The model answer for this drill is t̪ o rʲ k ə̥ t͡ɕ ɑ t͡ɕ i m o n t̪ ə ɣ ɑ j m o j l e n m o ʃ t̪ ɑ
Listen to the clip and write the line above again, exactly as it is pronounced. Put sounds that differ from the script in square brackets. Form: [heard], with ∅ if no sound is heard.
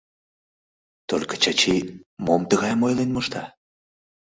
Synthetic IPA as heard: t̪ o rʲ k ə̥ t͡ɕ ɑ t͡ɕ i m o [m] t̪ ə ɣ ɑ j m o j l e n m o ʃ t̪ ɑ